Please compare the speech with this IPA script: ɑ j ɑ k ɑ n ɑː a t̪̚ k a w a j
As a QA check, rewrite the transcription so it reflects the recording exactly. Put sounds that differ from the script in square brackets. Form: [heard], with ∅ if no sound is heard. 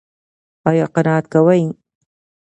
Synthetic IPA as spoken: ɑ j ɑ [q] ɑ n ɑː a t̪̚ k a w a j